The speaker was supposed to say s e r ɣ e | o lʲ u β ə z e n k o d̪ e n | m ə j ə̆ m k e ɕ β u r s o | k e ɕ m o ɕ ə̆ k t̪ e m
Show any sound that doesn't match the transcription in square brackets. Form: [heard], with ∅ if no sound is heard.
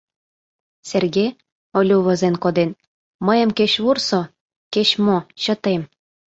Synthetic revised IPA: s e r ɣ e | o lʲ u β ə z e n k o d̪ e n | m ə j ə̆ m k e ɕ β u r s o | k e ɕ m o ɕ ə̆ [∅] t̪ e m